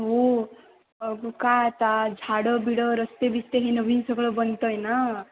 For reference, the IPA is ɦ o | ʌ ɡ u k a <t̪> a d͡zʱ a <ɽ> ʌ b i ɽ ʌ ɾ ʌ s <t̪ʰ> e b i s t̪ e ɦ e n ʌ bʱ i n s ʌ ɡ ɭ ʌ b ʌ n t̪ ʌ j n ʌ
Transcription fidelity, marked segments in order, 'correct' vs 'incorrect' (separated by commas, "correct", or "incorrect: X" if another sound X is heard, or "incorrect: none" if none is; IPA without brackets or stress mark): correct, correct, incorrect: t̪